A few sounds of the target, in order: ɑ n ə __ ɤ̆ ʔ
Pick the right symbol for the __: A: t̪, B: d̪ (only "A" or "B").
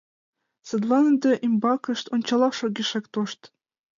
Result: B